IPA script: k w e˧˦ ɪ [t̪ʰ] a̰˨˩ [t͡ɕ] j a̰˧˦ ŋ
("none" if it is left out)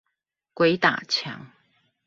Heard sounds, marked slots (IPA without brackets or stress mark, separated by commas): t̪, t͡ɕʰ